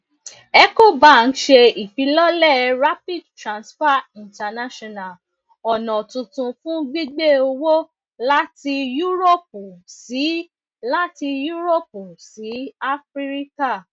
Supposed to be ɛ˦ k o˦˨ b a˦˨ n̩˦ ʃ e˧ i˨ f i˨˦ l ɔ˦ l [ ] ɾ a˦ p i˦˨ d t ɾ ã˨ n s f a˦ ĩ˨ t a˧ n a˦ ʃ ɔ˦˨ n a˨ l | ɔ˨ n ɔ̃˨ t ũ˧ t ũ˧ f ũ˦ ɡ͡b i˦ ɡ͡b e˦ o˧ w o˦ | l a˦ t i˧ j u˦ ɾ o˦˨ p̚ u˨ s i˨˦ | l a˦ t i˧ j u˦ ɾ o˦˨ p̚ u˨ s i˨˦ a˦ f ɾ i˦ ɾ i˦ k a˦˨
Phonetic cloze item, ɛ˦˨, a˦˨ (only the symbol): ɛ˦˨